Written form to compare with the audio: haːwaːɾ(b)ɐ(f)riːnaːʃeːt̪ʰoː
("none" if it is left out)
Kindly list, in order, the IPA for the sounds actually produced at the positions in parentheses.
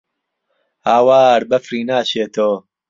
b, f

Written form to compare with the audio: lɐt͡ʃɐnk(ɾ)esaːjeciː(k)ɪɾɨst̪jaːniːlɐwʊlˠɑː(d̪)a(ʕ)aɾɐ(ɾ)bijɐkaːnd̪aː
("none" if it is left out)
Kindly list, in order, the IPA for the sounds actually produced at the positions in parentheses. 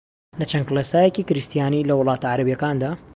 l, k, t̪, ʕ, none

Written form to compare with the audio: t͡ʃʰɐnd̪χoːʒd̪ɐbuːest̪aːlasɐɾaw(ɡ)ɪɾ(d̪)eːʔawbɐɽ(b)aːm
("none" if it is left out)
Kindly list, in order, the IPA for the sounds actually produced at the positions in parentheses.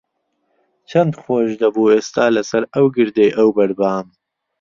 ɡ, d̪, b

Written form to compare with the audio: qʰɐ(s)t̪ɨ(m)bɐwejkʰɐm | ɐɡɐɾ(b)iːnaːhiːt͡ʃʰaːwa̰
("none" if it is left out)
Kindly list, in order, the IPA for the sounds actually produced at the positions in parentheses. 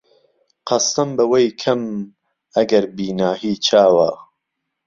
s, m, b

